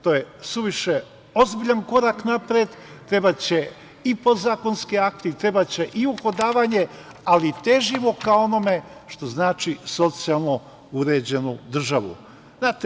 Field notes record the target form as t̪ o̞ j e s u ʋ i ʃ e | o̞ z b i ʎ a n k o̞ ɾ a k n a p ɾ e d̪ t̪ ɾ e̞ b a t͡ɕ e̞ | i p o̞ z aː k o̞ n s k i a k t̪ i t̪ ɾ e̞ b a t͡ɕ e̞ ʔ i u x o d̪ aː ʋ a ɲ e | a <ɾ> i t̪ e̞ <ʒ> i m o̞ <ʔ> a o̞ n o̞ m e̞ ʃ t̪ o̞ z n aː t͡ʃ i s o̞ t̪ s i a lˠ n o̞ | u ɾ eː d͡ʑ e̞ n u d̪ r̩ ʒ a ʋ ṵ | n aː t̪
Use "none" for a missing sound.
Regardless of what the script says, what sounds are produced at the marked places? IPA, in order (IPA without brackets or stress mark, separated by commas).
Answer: l, ʒ, k